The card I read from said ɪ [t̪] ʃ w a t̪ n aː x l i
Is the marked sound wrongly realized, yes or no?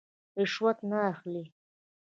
yes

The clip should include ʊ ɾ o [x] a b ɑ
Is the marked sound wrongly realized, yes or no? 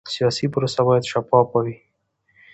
yes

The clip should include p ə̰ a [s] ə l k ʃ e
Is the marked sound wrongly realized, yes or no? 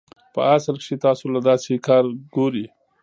no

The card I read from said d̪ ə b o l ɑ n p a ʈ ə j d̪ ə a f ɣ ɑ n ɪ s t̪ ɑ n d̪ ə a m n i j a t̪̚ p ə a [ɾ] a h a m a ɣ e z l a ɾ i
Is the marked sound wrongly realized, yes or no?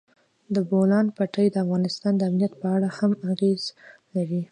yes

